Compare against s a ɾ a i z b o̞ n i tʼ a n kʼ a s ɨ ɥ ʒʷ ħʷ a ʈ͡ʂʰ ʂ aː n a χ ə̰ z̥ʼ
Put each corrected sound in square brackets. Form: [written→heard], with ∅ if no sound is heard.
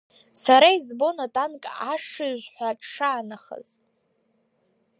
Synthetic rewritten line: s a ɾ a i z b o̞ n [i→a] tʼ a n kʼ a [s→ʂ] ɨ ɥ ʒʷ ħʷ a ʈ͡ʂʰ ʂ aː n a χ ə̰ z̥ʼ